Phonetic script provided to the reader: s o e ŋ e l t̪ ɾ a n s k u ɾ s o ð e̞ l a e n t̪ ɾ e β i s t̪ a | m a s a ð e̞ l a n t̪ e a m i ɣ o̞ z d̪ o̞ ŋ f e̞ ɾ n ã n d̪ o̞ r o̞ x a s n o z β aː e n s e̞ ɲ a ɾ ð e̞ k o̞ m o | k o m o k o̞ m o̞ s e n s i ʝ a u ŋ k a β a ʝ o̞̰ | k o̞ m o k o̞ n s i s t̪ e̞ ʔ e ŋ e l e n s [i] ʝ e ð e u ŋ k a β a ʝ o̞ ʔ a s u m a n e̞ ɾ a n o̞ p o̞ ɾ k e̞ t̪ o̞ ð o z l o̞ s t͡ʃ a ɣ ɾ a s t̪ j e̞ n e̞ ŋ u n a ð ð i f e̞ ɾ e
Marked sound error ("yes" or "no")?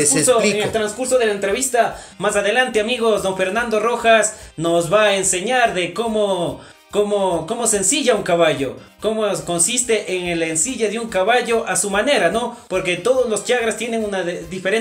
no